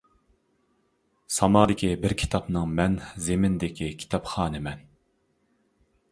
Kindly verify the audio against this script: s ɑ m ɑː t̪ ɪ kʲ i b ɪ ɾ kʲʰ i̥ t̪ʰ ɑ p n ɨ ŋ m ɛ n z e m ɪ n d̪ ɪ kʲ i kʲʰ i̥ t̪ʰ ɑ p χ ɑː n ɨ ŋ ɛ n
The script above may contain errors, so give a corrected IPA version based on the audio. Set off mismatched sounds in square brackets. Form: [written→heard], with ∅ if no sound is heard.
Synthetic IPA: s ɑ m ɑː [t̪→d̪] ɪ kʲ i b ɪ ɾ kʲʰ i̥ t̪ʰ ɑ p n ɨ ŋ m ɛ n z e m ɪ n d̪ ɪ kʲ i kʲʰ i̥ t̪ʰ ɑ p χ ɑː n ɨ [ŋ→m] ɛ n